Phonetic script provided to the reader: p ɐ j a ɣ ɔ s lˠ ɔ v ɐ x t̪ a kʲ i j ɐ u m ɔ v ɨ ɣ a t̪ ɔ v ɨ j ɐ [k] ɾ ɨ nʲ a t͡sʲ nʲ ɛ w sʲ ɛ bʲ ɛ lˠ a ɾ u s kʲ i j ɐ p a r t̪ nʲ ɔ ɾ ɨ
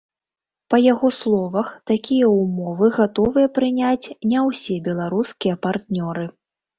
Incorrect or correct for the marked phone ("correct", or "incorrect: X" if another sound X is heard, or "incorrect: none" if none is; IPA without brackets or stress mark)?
incorrect: p